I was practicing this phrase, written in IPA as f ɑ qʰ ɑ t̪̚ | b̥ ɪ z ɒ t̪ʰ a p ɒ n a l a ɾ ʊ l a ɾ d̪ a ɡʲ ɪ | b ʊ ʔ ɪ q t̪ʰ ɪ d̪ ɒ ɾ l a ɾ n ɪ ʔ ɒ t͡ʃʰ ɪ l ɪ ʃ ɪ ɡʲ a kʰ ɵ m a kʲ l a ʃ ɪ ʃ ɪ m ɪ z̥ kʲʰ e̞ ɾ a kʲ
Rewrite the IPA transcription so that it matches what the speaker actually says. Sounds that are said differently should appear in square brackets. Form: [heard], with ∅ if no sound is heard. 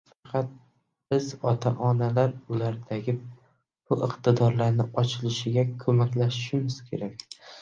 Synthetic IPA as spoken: f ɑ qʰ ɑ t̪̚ | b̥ ɪ z ɒ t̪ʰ a [ʔ] ɒ n a l a ɾ ʊ l a ɾ d̪ a ɡʲ ɪ | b ʊ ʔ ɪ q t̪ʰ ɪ d̪ ɒ ɾ l a ɾ n ɪ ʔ ɒ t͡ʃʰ ɪ l ɪ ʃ ɪ ɡʲ a kʰ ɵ m a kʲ l a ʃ ɪ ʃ ɪ m ɪ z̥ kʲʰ e̞ ɾ a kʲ